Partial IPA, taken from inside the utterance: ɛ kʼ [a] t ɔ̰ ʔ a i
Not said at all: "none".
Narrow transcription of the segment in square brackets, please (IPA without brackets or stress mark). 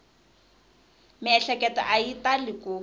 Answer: ɛ